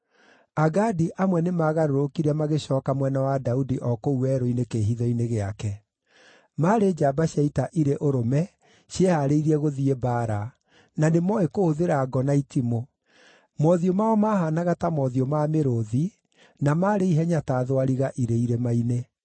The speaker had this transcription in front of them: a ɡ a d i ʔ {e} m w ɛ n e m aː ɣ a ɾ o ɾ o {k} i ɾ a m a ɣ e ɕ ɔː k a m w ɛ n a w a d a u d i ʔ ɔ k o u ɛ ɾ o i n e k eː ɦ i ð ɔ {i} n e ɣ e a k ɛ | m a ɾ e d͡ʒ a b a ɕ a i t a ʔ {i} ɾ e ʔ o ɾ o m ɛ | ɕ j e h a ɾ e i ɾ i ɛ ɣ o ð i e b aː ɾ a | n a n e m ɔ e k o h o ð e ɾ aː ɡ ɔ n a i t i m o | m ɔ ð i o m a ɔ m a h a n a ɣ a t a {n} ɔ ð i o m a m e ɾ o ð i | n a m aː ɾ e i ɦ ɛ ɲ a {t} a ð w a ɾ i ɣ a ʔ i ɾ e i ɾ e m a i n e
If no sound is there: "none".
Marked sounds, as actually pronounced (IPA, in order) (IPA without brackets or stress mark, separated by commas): a, k, i, i, m, t